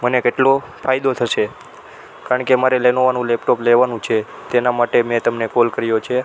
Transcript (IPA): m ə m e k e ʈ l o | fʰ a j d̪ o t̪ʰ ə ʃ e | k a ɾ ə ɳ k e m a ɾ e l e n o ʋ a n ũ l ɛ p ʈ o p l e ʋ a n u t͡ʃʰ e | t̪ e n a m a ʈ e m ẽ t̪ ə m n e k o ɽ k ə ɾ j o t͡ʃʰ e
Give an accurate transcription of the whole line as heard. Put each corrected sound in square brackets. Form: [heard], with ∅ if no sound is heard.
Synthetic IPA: m ə [n] e k e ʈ l o | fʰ a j d̪ o t̪ʰ ə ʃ e | k a ɾ ə ɳ k e m a ɾ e l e n o ʋ a n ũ l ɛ p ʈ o p l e ʋ a n [ũ] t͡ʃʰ e | t̪ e n a m a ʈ e m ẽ t̪ ə m n e k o [l] k ə ɾ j o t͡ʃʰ e